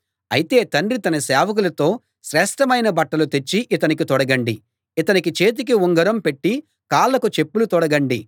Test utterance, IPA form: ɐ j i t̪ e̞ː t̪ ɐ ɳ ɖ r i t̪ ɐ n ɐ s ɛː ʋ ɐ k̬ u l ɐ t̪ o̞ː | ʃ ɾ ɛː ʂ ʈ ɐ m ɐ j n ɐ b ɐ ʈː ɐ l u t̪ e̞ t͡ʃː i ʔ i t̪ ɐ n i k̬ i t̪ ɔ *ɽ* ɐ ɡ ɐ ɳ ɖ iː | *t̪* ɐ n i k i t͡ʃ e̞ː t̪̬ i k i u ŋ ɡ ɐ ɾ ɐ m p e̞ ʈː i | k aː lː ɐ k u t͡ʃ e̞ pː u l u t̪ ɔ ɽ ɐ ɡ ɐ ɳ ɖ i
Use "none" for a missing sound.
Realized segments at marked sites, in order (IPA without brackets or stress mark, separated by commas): ɽ, t̪